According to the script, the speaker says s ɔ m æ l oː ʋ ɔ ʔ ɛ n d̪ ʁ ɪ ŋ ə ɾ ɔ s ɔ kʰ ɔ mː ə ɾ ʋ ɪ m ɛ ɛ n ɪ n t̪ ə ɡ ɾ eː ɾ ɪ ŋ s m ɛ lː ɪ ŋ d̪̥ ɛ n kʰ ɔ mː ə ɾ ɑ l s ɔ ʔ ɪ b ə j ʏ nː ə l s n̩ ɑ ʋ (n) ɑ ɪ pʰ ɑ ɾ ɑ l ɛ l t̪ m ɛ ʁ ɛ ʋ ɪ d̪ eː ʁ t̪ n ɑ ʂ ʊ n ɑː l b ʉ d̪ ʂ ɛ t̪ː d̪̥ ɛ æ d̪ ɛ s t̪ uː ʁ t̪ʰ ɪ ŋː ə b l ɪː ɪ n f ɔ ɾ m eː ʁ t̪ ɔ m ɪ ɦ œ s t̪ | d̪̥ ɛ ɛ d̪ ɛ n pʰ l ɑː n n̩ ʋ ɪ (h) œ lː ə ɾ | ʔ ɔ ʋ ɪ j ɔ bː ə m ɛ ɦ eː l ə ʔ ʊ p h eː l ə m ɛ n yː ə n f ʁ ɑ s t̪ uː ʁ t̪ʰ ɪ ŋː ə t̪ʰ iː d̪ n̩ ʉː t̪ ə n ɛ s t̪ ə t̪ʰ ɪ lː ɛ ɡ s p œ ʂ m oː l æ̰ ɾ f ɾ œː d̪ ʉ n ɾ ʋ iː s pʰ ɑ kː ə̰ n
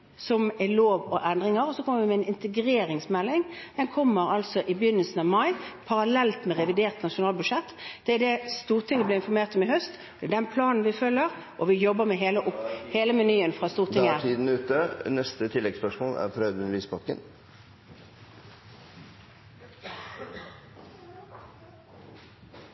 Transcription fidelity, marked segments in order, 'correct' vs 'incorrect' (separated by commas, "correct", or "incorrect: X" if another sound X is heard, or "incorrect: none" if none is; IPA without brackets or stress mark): incorrect: m, incorrect: f